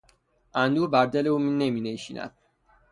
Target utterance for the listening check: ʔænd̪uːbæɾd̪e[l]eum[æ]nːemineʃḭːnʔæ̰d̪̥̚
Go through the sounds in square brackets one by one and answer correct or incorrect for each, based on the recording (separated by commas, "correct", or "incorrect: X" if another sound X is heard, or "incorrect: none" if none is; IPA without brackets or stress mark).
correct, incorrect: i